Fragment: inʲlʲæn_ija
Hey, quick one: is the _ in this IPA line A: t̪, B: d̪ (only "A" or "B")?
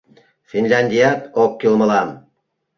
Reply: B